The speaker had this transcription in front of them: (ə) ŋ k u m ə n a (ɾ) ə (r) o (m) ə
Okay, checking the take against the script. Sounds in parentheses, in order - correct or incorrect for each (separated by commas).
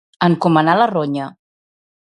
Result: correct, incorrect, correct, incorrect